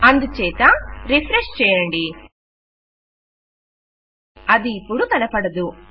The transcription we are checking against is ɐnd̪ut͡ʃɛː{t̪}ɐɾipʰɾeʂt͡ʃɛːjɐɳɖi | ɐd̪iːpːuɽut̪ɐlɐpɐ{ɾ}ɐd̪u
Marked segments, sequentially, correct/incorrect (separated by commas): correct, incorrect